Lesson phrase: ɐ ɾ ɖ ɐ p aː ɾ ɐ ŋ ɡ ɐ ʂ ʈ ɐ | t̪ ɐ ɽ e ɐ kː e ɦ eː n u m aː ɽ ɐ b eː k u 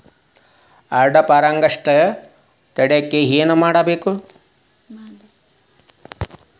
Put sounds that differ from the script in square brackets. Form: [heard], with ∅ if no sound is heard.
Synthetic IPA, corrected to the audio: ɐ ɾ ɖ ɐ p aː ɾ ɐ ŋ ɡ ɐ ʂ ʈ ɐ | t̪ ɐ ɽ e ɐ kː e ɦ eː n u m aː ɽ ɐ b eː k u